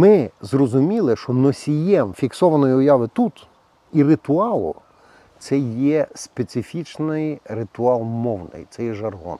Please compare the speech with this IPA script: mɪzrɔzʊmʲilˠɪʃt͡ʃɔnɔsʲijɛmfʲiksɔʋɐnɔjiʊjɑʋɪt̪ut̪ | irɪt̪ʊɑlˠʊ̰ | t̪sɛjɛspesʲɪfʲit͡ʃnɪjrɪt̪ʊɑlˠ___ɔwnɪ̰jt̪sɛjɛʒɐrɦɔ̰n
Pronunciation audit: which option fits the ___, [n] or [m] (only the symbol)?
m